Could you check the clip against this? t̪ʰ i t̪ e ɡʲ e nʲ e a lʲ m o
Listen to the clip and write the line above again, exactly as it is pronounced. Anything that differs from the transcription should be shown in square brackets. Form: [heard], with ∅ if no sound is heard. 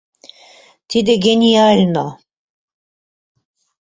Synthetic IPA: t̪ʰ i [d̪] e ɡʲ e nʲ [i] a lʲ [n] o